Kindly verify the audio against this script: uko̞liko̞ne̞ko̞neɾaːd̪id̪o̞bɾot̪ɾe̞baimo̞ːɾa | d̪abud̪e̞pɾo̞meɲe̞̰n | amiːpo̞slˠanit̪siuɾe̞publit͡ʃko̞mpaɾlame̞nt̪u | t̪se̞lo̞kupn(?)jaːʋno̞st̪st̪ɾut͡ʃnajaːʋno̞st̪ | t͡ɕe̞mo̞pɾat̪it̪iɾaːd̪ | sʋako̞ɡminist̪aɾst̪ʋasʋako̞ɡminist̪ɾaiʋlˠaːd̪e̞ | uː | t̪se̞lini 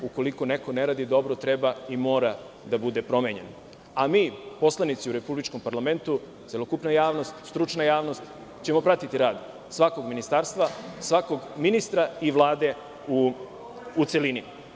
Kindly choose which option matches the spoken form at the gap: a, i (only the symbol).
a